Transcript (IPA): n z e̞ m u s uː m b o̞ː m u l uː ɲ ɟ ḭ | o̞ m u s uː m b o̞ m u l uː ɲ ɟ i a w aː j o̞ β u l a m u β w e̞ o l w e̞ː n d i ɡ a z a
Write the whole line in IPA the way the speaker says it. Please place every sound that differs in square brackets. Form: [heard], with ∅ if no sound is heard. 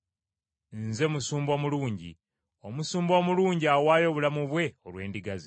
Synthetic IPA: n z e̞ m u s uː m b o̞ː m u l uː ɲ ɟ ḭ | o̞ m u s uː m b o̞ m u l uː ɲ ɟ i a w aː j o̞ β u l a m u β w e̞ o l w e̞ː n d i ɡ a z [i]